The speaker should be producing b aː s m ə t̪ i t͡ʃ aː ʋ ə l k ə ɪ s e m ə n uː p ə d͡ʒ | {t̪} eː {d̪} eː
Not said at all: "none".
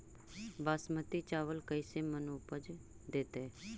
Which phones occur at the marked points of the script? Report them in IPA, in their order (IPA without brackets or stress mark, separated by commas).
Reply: d̪, t̪